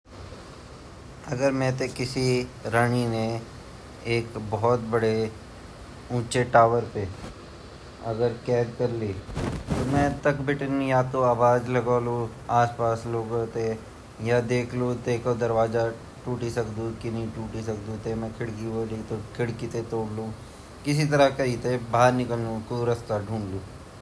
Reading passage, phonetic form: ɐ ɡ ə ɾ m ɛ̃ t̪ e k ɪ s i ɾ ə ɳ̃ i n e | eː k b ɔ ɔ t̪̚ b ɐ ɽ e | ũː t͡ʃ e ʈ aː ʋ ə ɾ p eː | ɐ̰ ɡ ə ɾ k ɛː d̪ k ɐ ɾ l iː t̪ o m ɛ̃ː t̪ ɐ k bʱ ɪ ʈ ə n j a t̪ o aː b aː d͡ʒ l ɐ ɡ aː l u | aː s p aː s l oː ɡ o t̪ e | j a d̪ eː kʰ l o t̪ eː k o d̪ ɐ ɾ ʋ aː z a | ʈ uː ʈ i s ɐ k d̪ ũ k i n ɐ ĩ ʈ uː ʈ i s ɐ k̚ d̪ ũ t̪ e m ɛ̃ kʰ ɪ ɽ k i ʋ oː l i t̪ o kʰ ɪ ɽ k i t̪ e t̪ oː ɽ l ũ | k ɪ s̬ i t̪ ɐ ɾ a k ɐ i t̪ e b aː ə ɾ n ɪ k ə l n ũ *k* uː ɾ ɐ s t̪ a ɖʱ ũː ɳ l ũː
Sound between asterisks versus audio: correct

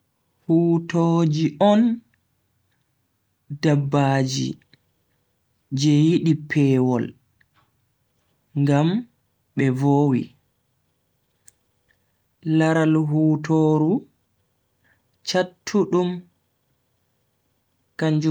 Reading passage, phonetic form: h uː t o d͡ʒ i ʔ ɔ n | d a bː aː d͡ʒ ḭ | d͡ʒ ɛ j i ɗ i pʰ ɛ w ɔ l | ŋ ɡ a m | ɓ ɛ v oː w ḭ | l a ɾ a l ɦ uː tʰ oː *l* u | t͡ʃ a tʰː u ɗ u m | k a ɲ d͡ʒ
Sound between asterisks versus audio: incorrect: ɾ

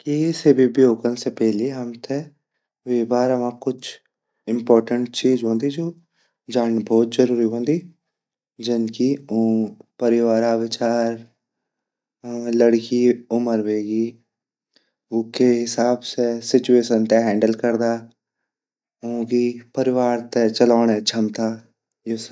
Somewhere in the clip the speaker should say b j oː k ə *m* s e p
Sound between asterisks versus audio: incorrect: n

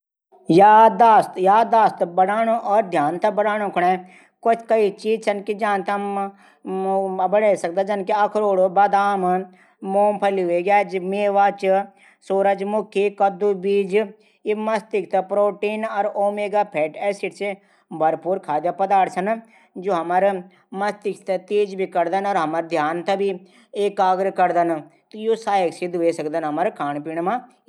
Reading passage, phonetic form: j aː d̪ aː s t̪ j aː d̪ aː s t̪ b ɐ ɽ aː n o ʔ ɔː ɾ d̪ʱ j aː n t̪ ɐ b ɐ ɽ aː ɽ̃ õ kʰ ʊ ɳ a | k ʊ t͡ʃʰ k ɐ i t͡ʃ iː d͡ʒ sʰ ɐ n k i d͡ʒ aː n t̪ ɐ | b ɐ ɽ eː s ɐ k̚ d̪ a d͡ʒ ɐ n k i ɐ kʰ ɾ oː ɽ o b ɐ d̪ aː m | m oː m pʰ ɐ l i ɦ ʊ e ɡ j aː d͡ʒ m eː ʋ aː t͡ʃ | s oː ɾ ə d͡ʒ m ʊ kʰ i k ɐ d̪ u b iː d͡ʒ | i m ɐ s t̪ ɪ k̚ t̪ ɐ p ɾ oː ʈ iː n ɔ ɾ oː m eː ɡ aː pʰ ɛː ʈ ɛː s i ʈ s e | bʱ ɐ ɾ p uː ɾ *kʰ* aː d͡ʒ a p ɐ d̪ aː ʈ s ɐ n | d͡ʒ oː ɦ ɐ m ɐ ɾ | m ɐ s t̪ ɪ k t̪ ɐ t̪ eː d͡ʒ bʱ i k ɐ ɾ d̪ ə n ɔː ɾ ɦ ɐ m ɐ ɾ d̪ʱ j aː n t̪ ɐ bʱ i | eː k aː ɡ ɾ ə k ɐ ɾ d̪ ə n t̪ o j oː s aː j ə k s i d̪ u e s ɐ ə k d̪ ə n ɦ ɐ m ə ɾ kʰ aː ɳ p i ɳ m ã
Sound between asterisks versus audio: correct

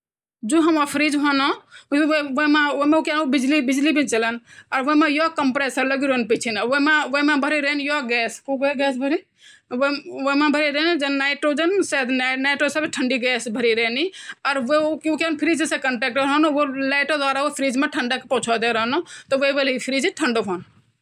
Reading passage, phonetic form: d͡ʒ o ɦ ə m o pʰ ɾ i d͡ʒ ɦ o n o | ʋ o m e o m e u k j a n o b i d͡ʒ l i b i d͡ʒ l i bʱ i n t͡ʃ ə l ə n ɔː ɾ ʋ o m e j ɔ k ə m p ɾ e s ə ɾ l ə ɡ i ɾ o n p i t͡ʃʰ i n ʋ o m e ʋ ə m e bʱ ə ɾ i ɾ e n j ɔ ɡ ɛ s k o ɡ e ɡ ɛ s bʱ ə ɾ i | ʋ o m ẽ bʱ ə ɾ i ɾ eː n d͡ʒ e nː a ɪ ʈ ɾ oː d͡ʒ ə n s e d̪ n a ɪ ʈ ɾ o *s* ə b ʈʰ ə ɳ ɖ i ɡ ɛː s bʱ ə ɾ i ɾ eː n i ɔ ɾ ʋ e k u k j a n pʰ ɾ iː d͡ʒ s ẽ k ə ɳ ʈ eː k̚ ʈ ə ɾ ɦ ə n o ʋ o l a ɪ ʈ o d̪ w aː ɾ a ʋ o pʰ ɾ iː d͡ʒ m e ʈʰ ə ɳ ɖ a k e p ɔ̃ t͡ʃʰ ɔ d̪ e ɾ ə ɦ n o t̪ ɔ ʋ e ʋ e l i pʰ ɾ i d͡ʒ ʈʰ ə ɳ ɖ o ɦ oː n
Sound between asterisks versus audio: correct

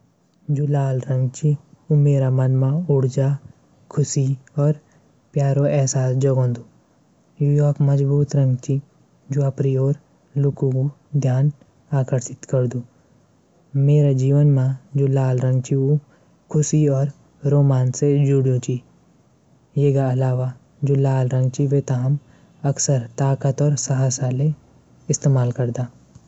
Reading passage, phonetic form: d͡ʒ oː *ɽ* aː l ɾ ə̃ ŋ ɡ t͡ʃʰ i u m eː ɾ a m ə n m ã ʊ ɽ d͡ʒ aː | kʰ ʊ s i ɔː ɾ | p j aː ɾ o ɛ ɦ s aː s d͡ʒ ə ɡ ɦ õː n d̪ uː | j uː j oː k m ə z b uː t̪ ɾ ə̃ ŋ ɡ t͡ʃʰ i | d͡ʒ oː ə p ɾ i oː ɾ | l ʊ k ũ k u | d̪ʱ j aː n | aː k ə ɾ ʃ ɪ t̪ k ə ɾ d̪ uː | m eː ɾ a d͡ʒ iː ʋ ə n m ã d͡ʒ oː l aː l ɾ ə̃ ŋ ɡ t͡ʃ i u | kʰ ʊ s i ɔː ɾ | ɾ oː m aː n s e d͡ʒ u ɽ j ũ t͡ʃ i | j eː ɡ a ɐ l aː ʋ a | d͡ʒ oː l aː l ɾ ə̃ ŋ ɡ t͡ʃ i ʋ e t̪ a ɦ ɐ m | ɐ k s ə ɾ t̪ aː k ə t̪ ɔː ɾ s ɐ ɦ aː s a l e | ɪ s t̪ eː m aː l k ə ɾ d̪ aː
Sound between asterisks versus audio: incorrect: l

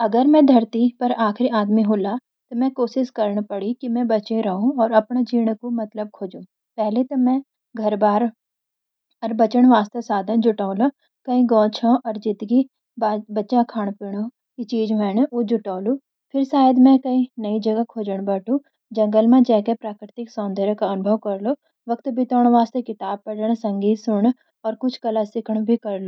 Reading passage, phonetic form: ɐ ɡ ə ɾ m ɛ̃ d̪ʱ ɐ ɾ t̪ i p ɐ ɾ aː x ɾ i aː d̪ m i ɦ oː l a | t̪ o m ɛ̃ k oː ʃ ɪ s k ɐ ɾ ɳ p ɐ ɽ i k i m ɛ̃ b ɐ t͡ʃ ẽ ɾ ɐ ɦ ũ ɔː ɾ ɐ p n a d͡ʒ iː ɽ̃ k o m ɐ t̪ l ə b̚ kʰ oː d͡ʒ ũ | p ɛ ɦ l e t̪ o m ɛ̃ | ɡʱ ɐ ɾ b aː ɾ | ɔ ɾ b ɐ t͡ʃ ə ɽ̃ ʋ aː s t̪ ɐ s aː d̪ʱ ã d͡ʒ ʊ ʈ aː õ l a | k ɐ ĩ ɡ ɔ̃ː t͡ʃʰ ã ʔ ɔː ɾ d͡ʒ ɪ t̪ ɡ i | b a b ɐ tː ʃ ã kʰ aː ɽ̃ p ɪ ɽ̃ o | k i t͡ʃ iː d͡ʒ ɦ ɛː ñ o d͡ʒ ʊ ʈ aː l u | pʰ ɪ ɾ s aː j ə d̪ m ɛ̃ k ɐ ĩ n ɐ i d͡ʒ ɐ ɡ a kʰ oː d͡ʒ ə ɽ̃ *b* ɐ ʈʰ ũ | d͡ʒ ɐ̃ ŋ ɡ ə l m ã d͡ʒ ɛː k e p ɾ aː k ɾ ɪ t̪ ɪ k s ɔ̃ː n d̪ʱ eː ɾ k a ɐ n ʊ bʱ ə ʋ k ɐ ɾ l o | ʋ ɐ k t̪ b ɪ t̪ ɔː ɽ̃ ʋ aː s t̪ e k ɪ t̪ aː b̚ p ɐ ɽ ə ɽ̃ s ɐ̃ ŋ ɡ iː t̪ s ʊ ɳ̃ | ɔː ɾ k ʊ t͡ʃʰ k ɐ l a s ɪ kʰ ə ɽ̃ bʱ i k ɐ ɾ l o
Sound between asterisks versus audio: correct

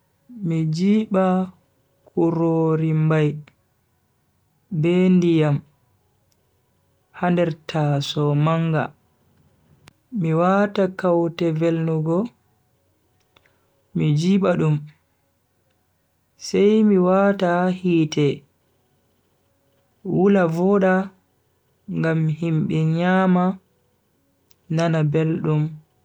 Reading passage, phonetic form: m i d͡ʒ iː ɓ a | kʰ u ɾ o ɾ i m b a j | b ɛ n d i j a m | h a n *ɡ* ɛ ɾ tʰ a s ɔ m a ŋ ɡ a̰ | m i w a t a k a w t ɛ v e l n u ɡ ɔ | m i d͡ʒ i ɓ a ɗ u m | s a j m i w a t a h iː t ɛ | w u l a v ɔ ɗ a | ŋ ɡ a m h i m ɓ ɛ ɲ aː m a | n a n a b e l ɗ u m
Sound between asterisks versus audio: incorrect: d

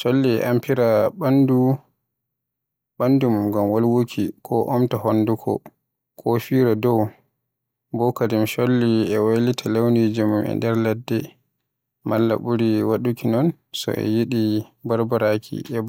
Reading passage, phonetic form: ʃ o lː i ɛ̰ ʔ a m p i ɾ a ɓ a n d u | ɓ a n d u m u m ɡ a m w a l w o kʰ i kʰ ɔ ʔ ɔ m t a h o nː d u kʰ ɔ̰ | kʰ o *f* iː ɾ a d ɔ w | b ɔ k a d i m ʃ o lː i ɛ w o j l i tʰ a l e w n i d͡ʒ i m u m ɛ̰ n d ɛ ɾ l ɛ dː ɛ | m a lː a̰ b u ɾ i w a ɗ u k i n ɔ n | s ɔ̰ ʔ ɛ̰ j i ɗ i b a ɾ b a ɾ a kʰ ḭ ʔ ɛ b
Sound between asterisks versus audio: correct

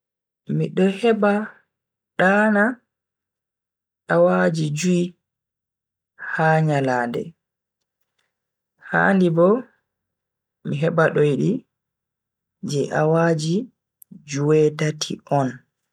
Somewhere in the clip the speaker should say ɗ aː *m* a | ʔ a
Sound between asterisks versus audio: incorrect: n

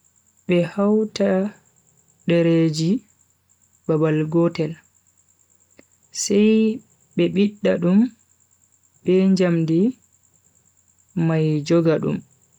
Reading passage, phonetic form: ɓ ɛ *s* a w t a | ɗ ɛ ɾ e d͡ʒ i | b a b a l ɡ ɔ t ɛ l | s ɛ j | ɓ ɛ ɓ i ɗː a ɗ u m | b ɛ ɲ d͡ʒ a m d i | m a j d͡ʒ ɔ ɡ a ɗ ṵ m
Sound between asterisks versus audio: incorrect: h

